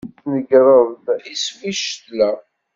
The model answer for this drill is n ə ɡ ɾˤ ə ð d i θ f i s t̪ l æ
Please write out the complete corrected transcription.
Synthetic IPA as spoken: n ə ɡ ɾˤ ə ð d i s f i ʃ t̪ l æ